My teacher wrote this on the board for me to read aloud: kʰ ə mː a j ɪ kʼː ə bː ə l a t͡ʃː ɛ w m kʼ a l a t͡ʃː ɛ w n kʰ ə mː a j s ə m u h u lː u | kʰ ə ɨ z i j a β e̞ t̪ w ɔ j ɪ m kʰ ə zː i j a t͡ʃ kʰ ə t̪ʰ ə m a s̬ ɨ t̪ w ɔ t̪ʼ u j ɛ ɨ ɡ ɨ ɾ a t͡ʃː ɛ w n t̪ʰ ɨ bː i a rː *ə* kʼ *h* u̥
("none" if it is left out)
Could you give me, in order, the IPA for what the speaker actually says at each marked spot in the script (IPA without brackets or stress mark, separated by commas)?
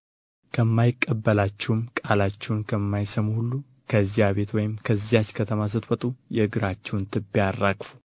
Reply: a, f